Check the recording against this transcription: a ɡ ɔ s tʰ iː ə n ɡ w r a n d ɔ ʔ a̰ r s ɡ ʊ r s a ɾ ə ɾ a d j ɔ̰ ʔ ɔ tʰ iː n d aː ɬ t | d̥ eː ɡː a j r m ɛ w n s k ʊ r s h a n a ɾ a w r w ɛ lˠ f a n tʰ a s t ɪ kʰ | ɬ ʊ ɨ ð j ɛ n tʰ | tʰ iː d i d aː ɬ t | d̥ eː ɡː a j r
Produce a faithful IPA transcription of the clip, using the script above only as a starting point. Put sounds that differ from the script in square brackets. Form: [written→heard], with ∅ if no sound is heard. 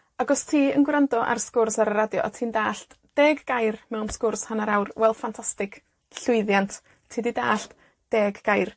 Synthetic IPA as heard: a ɡ ɔ s tʰ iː ə n ɡ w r a n d ɔ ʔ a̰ r s [ɡ→k] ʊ r s a ɾ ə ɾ a d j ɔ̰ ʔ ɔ tʰ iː n d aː ɬ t | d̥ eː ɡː a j r m ɛ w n s k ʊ r s h a n a ɾ a w r w ɛ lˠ f a n tʰ a s t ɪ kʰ | ɬ ʊ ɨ ð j [ɛ→a] n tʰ | tʰ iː d i d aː ɬ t | d̥ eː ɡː a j r